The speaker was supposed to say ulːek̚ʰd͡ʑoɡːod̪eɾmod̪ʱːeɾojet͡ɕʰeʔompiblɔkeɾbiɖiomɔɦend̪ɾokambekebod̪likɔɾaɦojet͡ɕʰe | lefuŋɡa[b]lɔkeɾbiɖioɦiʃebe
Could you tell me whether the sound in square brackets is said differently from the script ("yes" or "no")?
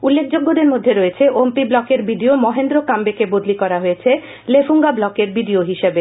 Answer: no